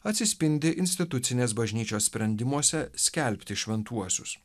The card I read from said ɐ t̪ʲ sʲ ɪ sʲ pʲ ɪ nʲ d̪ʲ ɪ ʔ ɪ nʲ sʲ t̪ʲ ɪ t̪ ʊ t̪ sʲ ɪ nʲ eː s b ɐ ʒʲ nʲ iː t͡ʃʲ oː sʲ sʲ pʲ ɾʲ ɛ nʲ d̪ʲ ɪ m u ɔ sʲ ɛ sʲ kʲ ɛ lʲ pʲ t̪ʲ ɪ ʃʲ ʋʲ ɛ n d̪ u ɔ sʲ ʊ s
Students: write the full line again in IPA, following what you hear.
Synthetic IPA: ɐ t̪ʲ sʲ ɪ sʲ pʲ ɪ nʲ d̪ʲ ɪ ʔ ɪ nʲ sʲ t̪ʲ ɪ t̪ ʊ t̪ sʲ ɪ nʲ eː s b ɐ ʒʲ nʲ iː t͡ʃʲ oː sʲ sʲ pʲ ɾʲ ɛ nʲ d̪ʲ ɪ m u ɔ sʲ ɛ sʲ kʲ ɛ lʲ pʲ t̪ʲ ɪ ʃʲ ʋʲ ɛ n t̪ u ɔ sʲ ʊ s